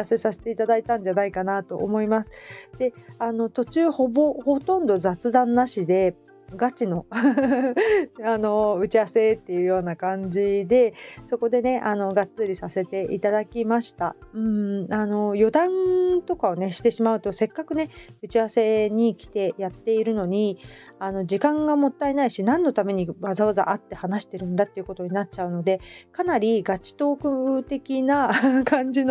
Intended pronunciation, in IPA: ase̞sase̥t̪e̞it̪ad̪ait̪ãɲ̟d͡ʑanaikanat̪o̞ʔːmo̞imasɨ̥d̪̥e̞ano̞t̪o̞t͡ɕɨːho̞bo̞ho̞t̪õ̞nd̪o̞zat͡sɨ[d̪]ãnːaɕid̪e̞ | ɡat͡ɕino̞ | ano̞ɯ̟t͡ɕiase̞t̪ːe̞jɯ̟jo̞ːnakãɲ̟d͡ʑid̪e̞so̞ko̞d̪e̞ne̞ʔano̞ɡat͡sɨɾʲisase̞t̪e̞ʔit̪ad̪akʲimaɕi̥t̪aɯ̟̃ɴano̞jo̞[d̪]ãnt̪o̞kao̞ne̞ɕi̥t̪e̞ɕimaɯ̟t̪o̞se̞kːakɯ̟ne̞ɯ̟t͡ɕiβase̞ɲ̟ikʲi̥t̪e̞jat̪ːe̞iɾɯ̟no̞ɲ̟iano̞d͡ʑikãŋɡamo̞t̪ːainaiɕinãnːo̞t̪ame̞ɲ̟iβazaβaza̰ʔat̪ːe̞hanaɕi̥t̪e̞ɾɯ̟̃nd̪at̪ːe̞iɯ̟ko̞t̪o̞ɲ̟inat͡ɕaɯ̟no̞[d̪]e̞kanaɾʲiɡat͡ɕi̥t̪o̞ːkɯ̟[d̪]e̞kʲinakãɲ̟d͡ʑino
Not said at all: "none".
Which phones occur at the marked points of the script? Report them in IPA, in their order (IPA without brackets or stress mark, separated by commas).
d̪, d̪, d̪, t̪